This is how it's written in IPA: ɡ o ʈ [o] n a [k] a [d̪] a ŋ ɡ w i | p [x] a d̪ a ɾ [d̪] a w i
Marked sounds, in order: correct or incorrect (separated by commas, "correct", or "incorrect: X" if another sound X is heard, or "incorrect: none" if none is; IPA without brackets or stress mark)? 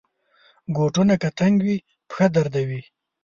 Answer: incorrect: u, correct, incorrect: t̪, correct, correct